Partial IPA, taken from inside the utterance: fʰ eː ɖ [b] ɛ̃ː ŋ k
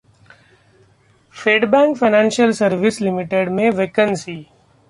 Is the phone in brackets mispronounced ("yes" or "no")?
no